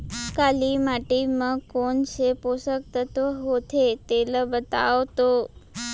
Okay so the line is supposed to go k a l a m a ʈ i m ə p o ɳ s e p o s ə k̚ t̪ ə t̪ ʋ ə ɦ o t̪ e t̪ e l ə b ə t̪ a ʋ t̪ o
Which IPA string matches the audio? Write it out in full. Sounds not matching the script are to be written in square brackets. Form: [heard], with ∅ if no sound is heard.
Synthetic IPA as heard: k a l [i] m a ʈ i m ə [k] o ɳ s e p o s ə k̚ t̪ ə t̪ ʋ ə ɦ o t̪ e t̪ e l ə b ə t̪ a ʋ t̪ o